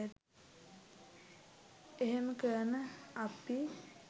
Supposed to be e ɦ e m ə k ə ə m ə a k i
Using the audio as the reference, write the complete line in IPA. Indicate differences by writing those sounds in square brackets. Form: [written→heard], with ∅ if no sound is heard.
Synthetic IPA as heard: e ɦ e m ə k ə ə [m→n] ə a [k→p] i